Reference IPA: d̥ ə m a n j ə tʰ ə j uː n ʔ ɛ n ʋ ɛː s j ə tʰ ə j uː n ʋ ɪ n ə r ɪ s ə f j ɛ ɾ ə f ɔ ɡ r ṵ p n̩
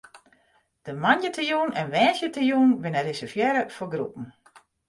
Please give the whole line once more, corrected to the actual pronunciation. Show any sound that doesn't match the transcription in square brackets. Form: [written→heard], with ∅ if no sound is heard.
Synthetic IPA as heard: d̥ ə m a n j ə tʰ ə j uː n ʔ ɛ n ʋ ɛː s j ə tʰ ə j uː n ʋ ɪ n ə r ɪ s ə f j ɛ ɾ ə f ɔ ɡ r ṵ p n̩